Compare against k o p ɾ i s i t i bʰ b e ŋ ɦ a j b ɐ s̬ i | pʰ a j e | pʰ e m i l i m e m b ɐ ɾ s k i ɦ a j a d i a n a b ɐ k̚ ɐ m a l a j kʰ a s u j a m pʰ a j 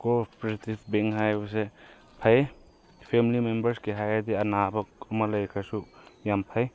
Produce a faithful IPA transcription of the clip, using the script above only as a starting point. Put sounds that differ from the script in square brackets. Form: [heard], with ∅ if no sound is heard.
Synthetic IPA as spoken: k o p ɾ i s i t i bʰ b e ŋ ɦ a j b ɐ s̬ [e] | pʰ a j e | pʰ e m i l i m e m b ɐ ɾ s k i ɦ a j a d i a n a b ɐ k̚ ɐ m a l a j kʰ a s u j a m pʰ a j